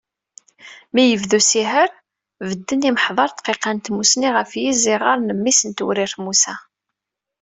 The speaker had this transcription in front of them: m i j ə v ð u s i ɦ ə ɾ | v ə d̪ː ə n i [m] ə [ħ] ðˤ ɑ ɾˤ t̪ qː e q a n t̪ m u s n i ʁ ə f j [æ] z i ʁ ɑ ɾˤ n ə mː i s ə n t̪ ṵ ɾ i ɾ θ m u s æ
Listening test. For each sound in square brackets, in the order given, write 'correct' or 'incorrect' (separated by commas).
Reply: correct, correct, incorrect